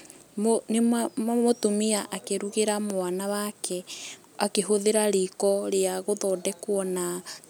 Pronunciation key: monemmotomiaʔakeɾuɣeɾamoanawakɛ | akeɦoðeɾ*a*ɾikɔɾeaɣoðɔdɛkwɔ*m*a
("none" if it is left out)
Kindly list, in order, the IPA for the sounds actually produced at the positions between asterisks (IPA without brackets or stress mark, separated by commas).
a, n